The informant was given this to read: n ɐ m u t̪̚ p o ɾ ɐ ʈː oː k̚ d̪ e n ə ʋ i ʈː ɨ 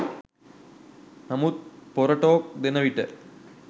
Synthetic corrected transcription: n ɐ m u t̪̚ p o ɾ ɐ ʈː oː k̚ d̪ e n ɐ ʋ i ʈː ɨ